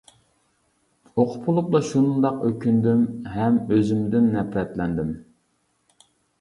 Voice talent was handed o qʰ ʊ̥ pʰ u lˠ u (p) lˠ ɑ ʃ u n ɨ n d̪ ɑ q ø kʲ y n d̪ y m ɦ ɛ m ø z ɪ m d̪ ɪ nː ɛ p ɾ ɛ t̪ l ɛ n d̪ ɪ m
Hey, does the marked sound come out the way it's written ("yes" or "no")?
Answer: yes